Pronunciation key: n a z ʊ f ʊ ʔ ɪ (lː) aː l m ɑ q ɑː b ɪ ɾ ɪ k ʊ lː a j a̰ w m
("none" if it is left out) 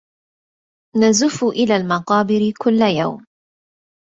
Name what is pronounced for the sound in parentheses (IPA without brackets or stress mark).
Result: l